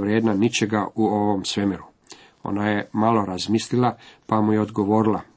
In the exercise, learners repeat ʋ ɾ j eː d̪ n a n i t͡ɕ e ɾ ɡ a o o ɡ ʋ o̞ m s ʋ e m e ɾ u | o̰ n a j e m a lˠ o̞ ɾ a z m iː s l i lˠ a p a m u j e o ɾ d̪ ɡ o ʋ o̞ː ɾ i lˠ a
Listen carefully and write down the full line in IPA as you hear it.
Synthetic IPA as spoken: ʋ ɾ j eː d̪ n a n i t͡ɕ e ɡ a u o ʋ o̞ m s ʋ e m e ɾ u | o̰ n a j e m a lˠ o̞ ɾ a z m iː s l i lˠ a p a m u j e o d̪ ɡ o ʋ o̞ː ɾ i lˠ a